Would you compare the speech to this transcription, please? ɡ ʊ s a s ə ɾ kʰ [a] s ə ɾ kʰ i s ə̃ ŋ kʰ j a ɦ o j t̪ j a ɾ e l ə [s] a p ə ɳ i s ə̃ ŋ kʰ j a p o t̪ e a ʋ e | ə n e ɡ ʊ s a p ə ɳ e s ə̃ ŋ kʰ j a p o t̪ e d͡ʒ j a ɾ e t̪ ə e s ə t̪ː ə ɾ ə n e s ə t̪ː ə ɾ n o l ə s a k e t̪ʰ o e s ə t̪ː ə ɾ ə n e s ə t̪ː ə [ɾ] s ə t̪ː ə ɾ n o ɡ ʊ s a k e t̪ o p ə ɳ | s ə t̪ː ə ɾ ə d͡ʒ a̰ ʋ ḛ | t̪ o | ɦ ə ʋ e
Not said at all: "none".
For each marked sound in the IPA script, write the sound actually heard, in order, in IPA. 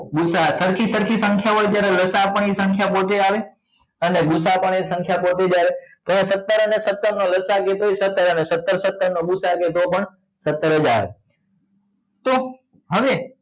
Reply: i, s, ɾ

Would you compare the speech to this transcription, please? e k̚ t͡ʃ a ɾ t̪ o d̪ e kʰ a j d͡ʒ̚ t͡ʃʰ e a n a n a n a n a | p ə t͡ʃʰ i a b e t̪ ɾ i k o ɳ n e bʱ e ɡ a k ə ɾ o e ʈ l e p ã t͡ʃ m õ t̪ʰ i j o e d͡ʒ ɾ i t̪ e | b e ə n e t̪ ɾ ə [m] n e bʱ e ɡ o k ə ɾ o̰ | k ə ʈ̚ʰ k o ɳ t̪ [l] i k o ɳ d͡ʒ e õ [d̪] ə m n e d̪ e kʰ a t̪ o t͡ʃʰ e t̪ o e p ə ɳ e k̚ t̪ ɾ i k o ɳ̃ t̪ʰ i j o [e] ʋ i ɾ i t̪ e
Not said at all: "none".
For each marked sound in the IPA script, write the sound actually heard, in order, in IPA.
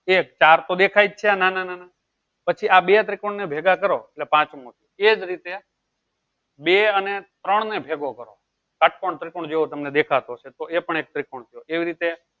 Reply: ɳ, ɾ, t̪, e

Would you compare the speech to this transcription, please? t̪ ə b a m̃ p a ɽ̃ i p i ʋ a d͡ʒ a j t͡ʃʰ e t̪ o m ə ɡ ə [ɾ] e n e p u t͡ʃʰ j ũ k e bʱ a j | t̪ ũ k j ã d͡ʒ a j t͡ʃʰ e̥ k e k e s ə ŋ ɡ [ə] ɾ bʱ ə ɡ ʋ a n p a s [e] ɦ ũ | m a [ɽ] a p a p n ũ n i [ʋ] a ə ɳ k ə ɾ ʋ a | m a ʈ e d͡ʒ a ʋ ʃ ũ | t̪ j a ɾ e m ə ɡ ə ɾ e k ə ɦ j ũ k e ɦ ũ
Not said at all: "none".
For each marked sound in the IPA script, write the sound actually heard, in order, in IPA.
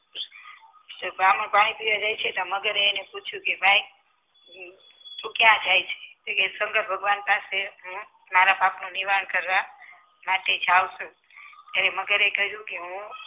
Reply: ɾ, ə, e, ɾ, ʋ

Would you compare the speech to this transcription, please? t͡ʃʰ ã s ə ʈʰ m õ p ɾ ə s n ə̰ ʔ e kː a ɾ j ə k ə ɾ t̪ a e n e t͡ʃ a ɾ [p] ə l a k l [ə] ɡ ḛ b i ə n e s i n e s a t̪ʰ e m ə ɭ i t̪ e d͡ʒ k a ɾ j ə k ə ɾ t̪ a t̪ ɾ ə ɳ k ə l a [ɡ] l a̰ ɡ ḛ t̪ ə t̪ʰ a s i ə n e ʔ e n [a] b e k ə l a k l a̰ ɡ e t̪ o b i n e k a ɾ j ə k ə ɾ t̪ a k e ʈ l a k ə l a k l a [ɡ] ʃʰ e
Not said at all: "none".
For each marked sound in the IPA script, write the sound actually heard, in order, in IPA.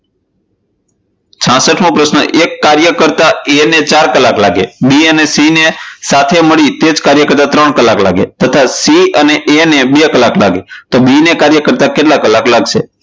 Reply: k, a, k, e, ɡ

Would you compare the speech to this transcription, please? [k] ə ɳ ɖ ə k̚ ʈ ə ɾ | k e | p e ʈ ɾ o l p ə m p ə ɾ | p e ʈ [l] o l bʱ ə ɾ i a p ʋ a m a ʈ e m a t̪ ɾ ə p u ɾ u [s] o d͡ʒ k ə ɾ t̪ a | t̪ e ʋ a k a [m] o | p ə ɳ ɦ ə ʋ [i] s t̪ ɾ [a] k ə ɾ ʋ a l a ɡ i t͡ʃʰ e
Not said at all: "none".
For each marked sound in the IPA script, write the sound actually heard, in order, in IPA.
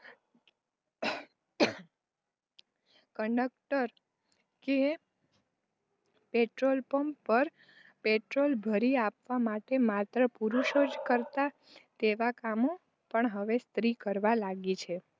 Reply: k, ɾ, ʃ, m, e, i

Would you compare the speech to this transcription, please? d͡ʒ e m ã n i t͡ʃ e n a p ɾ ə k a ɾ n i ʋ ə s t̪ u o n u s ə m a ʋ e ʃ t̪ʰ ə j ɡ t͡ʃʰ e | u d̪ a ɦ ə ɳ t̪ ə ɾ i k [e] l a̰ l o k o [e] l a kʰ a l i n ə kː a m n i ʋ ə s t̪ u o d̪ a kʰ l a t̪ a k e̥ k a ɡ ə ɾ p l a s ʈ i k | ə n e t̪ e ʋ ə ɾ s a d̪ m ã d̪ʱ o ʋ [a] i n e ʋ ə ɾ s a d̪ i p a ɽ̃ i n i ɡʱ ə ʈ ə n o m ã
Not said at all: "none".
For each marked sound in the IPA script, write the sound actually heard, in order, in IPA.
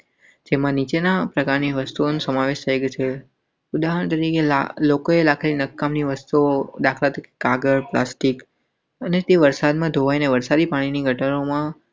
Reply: e, e, a

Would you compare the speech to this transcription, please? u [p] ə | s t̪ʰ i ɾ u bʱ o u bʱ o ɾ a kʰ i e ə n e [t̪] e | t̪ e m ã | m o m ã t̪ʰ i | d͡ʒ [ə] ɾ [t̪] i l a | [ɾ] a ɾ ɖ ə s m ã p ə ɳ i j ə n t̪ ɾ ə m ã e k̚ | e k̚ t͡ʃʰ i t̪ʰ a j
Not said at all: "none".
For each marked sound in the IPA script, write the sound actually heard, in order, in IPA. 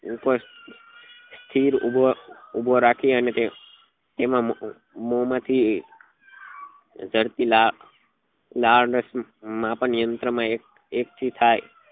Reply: p, t̪, ə, t̪, l

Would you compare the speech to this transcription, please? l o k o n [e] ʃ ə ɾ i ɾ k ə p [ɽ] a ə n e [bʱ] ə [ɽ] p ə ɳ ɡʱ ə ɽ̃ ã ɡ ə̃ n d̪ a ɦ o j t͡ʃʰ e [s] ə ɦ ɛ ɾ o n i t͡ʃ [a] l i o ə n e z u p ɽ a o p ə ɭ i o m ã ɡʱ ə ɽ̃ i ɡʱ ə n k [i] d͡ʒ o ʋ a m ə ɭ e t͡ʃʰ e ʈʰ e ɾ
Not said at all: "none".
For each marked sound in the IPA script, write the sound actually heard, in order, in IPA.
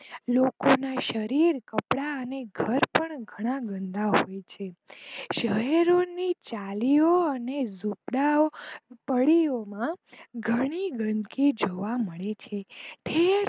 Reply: a, ɽ, ɡʱ, ɾ, ʃ, a, i

